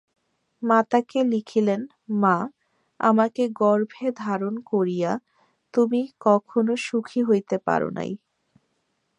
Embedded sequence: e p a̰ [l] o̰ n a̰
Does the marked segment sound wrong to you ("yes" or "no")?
yes